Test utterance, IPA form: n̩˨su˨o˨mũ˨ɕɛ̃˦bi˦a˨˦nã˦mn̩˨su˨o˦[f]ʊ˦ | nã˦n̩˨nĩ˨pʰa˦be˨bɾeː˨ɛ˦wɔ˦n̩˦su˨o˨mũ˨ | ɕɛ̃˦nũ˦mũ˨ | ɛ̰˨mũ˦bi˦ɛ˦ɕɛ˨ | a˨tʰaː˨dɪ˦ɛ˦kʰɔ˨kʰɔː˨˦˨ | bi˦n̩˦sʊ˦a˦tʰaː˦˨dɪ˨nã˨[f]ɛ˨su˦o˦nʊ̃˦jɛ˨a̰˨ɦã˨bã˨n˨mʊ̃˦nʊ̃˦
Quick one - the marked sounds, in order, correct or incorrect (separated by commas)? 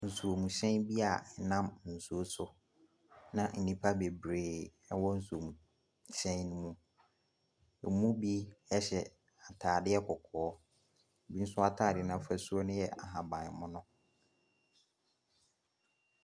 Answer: incorrect, correct